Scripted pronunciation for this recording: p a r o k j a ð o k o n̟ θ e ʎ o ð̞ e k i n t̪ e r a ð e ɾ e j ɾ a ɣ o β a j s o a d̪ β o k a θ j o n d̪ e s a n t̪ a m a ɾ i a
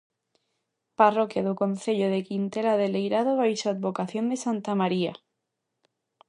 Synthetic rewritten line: p a r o k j a ð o k o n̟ θ e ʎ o ð̞ e k i n t̪ e l a ð e l e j ɾ a ð o β a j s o a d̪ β o k a θ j o n d̪ e s a n t̪ a m a ɾ i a

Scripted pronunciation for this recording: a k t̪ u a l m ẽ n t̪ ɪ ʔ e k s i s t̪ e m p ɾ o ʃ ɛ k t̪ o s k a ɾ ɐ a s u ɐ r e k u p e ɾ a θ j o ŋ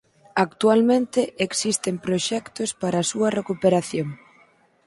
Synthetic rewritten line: a k t̪ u a l m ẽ n t̪ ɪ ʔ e k s i s t̪ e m p ɾ o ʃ ɛ k t̪ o s p a ɾ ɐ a s u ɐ r e k u p e ɾ a θ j o ŋ

